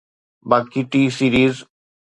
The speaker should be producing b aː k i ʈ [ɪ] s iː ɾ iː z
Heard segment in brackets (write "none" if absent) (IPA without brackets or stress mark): i